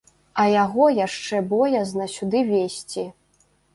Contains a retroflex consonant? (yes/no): yes